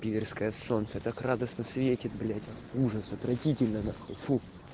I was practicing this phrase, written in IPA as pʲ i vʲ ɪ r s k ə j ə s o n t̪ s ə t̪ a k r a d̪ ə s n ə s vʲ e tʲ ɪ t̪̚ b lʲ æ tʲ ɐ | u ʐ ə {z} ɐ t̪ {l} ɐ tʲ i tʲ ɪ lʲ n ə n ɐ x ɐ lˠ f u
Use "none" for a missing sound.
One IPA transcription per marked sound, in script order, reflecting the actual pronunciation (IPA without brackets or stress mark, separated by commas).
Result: s, ɾ